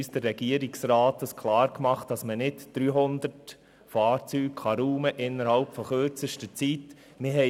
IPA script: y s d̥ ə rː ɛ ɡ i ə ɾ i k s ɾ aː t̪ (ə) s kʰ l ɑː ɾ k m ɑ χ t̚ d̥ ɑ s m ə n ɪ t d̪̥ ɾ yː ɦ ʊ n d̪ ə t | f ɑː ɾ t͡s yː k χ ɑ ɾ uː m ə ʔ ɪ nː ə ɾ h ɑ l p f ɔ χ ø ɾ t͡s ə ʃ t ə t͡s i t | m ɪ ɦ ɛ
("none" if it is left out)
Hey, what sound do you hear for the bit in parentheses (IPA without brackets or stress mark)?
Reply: ə